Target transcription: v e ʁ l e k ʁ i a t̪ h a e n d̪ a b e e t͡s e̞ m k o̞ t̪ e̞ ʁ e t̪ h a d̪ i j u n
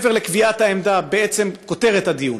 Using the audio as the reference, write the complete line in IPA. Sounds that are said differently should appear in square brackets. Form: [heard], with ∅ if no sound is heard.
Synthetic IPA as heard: v e ʁ l e k [v] i a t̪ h a e [m] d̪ a b e e t͡s e̞ m k o̞ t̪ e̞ ʁ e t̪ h a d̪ i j u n